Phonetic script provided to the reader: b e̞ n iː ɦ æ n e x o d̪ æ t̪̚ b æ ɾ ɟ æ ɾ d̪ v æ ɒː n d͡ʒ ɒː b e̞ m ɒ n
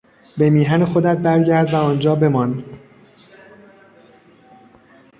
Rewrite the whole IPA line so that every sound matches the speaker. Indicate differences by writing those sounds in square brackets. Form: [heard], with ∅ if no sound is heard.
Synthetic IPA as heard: b e̞ [m] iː ɦ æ n e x o d̪ æ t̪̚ b æ ɾ ɟ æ ɾ d̪ v æ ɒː n d͡ʒ ɒː b e̞ m ɒ n